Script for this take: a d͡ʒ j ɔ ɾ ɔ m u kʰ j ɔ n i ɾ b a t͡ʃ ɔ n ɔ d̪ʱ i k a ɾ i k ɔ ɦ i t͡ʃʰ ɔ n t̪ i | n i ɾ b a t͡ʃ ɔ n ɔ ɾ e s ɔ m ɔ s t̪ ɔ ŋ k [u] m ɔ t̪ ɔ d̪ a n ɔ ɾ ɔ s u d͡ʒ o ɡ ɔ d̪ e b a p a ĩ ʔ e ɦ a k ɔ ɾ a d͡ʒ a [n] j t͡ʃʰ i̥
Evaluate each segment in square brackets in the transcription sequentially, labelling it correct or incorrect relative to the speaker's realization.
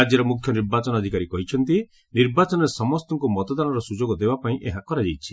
correct, incorrect: none

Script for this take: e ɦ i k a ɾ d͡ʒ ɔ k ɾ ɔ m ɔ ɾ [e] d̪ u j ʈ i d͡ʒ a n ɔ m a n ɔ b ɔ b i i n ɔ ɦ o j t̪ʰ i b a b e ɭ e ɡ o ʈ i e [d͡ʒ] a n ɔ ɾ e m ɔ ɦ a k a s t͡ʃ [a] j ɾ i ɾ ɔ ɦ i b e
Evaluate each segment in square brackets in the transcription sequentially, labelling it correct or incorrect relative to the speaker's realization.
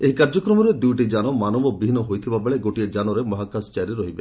correct, correct, correct

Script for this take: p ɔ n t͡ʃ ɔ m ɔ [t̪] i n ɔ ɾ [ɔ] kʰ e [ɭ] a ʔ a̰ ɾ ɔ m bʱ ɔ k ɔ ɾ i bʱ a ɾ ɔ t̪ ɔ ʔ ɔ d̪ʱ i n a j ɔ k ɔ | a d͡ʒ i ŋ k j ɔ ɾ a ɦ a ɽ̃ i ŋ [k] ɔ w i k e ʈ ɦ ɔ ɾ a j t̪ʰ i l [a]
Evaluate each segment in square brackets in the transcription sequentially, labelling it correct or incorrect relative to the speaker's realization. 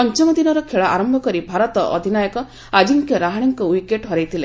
incorrect: d̪, correct, correct, correct, incorrect: e

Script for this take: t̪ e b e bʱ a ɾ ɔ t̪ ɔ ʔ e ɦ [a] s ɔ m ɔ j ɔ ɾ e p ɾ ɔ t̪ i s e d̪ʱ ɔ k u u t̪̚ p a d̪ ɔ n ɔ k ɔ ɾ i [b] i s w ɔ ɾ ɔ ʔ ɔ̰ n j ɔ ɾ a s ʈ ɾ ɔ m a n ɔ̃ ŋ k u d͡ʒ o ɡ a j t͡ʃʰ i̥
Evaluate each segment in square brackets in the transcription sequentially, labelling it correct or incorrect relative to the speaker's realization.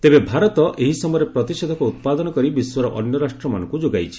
incorrect: i, correct

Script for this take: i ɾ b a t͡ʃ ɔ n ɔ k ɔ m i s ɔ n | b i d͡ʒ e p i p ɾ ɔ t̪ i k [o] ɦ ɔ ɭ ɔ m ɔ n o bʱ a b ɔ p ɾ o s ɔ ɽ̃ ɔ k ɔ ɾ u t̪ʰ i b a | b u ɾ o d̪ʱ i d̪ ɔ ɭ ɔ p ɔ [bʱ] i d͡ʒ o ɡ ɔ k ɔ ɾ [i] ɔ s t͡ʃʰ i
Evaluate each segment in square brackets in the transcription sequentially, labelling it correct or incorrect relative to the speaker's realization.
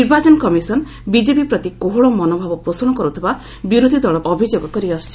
correct, correct, correct

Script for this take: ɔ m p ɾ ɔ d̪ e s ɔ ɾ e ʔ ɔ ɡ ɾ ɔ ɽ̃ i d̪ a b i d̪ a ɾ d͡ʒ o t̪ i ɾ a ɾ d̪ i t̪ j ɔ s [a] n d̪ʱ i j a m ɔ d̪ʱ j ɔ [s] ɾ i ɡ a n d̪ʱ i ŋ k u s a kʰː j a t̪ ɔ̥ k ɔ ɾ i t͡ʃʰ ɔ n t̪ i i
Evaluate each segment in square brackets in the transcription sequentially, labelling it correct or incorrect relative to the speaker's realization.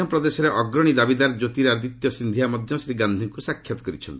incorrect: i, correct

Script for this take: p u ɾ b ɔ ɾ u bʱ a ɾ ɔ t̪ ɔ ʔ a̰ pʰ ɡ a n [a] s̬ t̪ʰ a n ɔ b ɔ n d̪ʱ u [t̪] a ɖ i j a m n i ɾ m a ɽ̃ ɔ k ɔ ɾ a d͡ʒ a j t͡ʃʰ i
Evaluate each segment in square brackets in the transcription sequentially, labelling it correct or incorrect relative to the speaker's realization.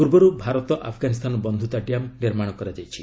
incorrect: i, correct

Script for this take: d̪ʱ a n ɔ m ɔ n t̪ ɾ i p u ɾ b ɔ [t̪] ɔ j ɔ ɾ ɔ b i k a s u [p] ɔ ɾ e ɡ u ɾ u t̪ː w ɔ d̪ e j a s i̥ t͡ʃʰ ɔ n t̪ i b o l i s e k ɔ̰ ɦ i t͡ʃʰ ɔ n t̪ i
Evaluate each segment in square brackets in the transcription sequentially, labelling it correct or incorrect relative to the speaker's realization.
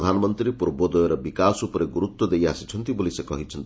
incorrect: d̪, correct

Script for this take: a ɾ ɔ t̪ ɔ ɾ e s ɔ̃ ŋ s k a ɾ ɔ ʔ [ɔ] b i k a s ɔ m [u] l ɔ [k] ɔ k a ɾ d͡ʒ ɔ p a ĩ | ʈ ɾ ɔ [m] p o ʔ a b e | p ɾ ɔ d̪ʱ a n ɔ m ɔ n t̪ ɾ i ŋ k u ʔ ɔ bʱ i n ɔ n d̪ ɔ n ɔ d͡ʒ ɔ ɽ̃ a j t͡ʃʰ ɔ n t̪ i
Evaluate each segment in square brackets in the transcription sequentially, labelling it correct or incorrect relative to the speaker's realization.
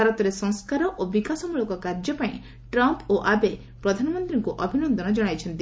incorrect: o, correct, correct, correct

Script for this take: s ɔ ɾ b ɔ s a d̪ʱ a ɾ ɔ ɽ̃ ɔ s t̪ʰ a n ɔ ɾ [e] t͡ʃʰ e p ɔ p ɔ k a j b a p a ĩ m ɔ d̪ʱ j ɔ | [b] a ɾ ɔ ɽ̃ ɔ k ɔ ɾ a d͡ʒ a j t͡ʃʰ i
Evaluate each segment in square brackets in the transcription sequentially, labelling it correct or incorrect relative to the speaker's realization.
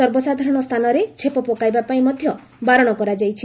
correct, correct

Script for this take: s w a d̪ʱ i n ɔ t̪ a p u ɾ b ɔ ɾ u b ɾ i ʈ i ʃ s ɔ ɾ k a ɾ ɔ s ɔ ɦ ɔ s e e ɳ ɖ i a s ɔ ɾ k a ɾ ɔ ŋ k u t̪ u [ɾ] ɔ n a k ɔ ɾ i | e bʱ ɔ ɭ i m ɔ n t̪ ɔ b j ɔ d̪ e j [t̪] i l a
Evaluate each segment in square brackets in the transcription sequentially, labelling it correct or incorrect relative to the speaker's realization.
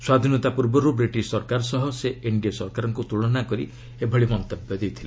incorrect: ɭ, incorrect: t̪ʰ

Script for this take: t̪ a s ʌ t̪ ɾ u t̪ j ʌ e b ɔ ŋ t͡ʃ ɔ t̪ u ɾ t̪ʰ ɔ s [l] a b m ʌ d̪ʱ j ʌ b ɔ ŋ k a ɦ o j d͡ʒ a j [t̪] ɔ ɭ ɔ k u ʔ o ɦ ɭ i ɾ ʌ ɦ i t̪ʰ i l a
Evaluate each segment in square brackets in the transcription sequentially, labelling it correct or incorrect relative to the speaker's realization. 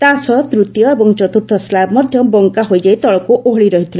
correct, correct

